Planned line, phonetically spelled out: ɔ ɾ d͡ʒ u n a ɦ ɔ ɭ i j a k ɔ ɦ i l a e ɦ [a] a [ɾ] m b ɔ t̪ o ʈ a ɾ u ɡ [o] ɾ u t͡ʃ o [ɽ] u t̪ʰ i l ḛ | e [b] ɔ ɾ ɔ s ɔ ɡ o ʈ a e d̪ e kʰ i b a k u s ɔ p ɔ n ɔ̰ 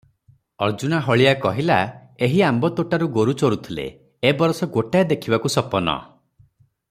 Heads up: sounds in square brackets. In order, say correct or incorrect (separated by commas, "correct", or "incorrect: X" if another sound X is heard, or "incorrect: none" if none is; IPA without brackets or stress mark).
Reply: incorrect: i, incorrect: none, correct, incorrect: ɾ, correct